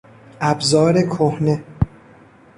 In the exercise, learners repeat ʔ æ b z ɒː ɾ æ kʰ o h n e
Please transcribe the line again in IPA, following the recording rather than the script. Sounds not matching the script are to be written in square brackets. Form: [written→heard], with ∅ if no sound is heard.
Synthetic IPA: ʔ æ b z ɒː ɾ [æ→e] kʰ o h n e